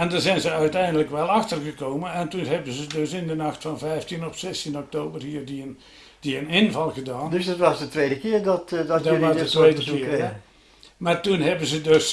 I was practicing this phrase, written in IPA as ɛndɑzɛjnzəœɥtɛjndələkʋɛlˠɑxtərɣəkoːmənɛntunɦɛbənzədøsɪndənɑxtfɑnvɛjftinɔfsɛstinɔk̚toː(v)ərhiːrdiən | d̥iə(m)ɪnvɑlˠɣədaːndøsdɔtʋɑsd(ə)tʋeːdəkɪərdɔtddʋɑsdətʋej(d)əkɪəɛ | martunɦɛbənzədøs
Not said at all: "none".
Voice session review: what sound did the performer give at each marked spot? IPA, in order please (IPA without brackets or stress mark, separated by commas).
b, n, ə, d